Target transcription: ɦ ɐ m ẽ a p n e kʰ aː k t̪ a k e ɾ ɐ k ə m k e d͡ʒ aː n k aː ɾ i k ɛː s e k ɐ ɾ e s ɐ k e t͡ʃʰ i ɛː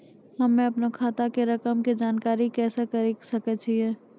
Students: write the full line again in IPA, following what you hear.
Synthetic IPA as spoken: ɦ ɐ m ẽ ɐ p n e kʰ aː t̪ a k e ɾ ɐ k ə m k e d͡ʒ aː n k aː ɾ i k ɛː s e k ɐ ɾ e s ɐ k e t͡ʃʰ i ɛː

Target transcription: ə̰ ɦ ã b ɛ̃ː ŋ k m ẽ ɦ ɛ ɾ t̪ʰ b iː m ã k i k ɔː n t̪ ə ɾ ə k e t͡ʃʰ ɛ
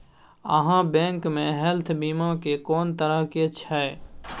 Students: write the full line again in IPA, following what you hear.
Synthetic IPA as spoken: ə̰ ɦ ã b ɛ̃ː ŋ k m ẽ ɦ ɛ l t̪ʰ b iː m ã k e k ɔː n t̪ ə ɾ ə k e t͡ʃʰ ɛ

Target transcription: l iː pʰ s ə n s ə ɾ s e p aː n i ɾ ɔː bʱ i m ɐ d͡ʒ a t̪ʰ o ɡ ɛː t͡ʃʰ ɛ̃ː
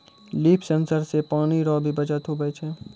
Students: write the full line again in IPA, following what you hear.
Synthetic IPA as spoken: l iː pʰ s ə n s ə ɾ s e p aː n i ɾ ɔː bʱ i b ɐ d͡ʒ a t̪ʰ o b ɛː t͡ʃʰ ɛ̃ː

